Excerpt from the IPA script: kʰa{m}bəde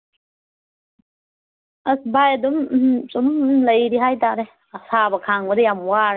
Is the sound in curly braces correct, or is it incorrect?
incorrect: ŋ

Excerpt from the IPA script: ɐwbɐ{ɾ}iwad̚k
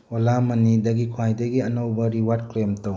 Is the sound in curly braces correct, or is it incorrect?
correct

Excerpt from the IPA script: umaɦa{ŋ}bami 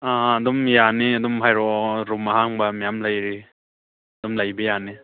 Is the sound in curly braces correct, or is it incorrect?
correct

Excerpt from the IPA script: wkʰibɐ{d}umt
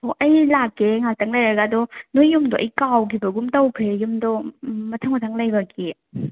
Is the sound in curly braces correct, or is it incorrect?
incorrect: ɡ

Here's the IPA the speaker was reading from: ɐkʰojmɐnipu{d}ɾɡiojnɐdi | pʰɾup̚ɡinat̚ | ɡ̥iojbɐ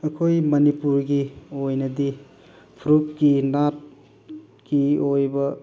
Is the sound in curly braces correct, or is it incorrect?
incorrect: none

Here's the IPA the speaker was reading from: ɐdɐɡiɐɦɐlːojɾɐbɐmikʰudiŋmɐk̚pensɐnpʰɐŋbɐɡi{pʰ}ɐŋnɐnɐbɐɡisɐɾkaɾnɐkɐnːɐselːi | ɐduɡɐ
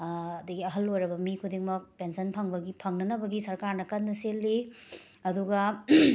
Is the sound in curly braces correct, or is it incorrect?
correct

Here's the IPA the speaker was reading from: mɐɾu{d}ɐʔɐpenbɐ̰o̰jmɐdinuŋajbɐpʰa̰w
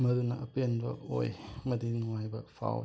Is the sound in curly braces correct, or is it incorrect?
incorrect: n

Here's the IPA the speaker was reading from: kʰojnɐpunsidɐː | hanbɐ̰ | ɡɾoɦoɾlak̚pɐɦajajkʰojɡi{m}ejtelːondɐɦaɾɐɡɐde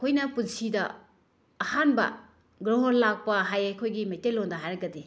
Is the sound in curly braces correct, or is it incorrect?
correct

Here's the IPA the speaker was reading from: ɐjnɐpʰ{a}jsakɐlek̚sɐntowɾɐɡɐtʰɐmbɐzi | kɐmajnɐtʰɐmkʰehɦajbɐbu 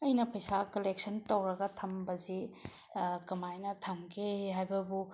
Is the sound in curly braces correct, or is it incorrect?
incorrect: ɐ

